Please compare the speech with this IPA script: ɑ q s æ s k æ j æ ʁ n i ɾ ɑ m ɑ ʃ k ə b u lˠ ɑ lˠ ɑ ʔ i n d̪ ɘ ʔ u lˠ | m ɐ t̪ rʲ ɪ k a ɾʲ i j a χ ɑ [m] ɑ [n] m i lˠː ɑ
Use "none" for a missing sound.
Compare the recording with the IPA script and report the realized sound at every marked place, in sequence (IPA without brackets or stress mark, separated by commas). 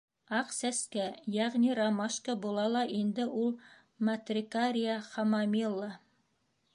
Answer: m, none